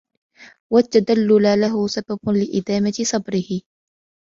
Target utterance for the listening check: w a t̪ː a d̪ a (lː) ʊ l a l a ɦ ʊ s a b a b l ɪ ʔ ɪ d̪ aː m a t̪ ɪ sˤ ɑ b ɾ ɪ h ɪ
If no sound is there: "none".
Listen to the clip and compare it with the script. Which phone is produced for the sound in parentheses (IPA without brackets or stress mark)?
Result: lː